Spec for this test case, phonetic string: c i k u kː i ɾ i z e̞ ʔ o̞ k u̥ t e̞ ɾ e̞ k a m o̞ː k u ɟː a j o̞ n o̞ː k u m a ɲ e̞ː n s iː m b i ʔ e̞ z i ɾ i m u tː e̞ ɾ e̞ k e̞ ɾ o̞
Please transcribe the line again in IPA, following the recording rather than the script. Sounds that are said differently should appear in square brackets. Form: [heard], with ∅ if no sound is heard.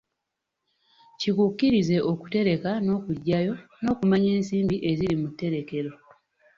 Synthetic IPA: c i k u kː i ɾ i z e̞ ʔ o̞ k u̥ t e̞ ɾ e̞ k a [n] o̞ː k u ɟː a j o̞ n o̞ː k u m a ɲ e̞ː n s iː m b i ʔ e̞ z i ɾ i m u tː e̞ ɾ e̞ k e̞ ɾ o̞